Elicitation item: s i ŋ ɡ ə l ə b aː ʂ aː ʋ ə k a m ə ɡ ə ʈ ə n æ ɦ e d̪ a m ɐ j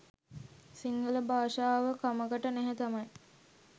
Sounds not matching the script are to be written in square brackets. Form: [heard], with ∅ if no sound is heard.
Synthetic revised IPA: s i ŋ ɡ ə l ə b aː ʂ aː ʋ ə k a m ə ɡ ə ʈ ə n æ ɦ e [t̪] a m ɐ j